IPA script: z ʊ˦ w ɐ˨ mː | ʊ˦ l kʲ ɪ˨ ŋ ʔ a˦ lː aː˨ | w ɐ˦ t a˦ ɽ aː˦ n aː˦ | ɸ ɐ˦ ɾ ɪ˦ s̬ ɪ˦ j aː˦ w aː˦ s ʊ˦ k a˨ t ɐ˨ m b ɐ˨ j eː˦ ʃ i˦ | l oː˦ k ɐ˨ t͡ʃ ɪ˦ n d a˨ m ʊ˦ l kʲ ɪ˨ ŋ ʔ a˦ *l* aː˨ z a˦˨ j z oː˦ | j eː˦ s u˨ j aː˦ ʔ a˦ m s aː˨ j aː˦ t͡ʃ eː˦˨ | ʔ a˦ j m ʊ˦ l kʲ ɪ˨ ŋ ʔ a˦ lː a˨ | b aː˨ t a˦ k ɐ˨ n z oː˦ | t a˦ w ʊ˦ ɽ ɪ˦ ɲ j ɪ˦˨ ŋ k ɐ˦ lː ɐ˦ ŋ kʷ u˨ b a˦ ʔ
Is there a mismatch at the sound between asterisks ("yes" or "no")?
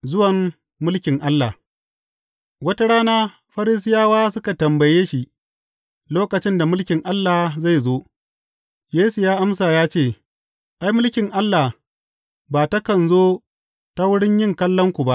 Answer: yes